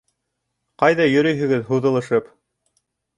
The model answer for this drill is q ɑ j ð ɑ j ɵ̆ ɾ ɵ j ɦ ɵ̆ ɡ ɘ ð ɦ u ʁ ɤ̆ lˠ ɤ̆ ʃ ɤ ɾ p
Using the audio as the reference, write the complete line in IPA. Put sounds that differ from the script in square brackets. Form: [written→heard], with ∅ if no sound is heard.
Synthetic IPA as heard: q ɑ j ð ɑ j ɵ̆ ɾ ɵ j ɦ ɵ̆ ɡ ɘ ð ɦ u [ʁ→ð] ɤ̆ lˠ ɤ̆ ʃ ɤ [ɾ→∅] p

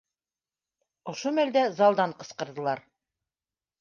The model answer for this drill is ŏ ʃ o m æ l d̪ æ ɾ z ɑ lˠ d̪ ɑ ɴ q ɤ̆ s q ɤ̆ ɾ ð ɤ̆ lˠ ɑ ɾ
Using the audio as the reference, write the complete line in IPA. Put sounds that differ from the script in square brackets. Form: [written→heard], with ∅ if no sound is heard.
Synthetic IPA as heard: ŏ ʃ o m æ l d̪ æ [ɾ→∅] z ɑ lˠ d̪ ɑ ɴ q ɤ̆ s q ɤ̆ ɾ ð ɤ̆ lˠ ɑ ɾ

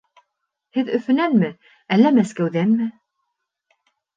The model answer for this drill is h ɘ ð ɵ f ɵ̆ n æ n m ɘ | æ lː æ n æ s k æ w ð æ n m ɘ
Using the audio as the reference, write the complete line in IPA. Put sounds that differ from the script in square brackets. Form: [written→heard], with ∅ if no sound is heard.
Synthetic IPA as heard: h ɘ ð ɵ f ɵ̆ n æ n m ɘ | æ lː æ [n→m] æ s k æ w ð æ n m ɘ

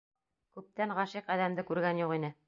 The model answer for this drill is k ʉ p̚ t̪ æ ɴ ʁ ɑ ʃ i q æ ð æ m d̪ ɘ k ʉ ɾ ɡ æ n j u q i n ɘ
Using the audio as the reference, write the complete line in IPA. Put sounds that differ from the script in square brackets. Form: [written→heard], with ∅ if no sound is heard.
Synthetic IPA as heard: k ʉ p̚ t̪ æ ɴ ʁ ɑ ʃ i q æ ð æ m d̪ ɘ k ʉ ɾ ɡ æ n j u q i n ɘ

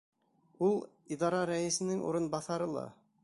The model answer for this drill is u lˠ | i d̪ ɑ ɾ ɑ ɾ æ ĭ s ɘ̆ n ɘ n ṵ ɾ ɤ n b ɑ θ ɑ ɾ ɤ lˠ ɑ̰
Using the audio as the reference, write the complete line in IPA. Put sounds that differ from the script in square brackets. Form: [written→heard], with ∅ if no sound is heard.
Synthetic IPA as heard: u lˠ | i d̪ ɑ ɾ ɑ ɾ æ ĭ s ɘ̆ n ɘ [n→ŋ] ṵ ɾ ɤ n b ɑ θ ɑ ɾ ɤ lˠ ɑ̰

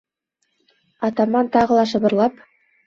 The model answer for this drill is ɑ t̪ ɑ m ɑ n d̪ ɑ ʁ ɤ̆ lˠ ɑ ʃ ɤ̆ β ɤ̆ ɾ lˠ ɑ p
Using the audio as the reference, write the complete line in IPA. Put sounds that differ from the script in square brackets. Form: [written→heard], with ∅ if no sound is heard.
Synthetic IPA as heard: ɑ t̪ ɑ m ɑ n [d̪→t̪] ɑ ʁ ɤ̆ lˠ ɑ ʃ ɤ̆ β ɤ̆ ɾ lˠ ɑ p

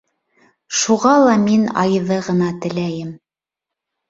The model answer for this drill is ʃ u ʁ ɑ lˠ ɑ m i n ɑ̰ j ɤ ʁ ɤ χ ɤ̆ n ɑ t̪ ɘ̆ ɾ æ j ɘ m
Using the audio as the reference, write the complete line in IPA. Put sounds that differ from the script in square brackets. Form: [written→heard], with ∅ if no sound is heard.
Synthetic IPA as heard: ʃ u ʁ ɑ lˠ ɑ m i n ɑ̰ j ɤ [ʁ→ð] ɤ [χ→ʁ] ɤ̆ n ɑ t̪ ɘ̆ [ɾ→l] æ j ɘ m

